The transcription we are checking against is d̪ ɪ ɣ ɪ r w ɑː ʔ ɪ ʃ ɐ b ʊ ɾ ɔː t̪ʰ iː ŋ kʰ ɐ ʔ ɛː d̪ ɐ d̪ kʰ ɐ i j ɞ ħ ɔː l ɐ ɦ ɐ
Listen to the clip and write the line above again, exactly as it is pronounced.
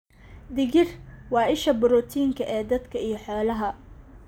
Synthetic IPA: d̪ ɪ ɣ ɪ r w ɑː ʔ ɪ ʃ ɐ b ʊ ɾ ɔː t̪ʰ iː ŋ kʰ ɐ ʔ ɛː d̪ ɐ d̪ kʰ ɐ i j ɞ ħ ɔː l ɐ ɦ ɐ